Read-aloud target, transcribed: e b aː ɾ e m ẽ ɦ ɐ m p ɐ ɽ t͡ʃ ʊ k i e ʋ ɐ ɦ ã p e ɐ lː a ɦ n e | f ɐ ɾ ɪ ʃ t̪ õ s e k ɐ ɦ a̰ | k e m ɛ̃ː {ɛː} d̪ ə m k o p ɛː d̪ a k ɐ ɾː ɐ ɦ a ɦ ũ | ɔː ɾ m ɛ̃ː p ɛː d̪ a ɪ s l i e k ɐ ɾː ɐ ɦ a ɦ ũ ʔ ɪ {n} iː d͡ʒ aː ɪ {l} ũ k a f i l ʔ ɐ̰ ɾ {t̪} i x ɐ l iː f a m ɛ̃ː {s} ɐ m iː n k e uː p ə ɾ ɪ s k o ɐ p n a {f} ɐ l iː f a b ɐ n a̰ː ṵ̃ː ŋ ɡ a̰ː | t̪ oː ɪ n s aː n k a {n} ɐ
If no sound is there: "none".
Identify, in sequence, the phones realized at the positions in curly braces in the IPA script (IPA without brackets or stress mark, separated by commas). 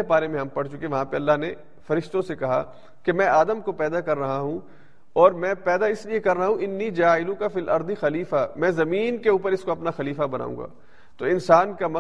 aː, nː, l, d̪, z, x, m